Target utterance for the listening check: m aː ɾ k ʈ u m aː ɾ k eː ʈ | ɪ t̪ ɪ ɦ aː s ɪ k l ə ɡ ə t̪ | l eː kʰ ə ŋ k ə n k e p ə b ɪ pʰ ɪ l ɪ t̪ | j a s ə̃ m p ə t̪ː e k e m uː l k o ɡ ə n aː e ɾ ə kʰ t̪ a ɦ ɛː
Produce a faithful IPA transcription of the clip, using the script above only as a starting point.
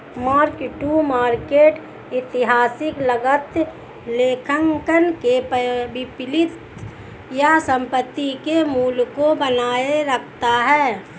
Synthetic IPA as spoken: m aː ɾ k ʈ u m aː ɾ k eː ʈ | ɪ t̪ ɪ ɦ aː s ɪ k l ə ɡ ə t̪ | l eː kʰ ə ŋ k ə n k e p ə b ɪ p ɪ l ɪ t̪ | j a s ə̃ m p ə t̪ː i k e m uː l k o b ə n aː e ɾ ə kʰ t̪ a ɦ ɛː